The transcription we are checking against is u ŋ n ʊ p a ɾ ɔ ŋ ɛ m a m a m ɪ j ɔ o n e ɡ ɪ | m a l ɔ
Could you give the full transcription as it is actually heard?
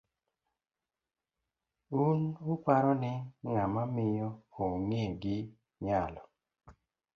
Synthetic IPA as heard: u n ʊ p a ɾ ɔ n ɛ ŋ a m a m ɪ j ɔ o ŋ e ɡ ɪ | ɲ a l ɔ